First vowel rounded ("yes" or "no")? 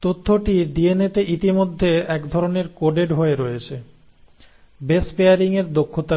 yes